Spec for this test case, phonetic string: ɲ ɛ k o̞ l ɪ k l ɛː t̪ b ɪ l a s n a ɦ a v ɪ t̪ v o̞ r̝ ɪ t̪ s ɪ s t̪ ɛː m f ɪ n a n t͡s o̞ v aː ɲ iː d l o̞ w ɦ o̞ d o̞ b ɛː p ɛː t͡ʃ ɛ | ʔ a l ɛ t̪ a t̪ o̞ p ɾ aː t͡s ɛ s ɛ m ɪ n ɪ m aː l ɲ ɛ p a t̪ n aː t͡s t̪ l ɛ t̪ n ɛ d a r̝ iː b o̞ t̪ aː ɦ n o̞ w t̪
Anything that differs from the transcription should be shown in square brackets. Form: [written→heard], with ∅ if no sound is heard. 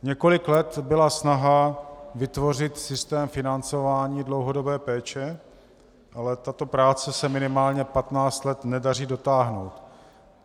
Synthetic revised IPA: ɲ ɛ k o̞ l ɪ k l [ɛː→ɛ] t̪ b ɪ l a s n a ɦ a v ɪ t̪ v o̞ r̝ ɪ t̪ s ɪ s t̪ ɛː m f ɪ n a n t͡s o̞ v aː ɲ iː d l o̞ w ɦ o̞ d o̞ b ɛː p ɛː t͡ʃ ɛ | ʔ a l ɛ t̪ a t̪ o̞ p ɾ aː t͡s ɛ s ɛ m ɪ n ɪ m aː l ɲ ɛ p a t̪ n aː t͡s t̪ l ɛ t̪ n ɛ d a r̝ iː [b→d] o̞ t̪ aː ɦ n o̞ w t̪